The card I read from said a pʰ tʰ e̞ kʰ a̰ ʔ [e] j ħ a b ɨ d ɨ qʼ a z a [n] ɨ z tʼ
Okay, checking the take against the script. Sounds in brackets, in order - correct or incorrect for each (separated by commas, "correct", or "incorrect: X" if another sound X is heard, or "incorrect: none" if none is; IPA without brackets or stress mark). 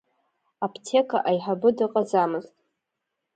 incorrect: a, incorrect: m